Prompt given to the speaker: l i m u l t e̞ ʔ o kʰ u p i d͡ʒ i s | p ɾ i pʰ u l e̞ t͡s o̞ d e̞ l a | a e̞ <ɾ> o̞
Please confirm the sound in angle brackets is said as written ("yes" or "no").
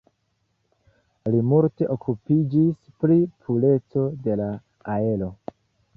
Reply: no